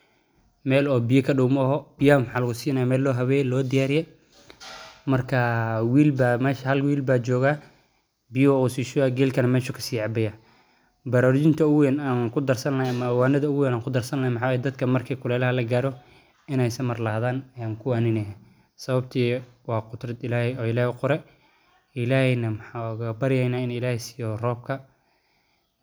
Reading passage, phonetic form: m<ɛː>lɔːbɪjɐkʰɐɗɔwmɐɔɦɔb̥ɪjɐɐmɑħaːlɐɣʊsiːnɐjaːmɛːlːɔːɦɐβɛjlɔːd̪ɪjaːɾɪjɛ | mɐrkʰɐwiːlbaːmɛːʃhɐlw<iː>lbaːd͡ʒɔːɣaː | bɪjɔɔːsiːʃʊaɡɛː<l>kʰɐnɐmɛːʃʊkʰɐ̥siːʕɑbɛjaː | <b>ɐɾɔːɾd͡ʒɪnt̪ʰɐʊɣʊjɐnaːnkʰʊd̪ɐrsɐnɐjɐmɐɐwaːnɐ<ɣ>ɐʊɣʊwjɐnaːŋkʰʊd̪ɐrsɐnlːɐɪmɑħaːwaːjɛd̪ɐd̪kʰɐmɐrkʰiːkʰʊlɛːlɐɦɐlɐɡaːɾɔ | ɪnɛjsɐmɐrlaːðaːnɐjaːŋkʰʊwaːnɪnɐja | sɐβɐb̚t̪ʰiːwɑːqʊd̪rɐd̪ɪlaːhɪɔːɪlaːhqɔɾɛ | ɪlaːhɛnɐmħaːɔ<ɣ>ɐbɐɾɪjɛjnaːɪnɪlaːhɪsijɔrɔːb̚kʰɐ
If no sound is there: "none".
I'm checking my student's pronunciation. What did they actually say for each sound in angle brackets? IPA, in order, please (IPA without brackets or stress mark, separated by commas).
ɛː, iː, l, b, ð, ɣ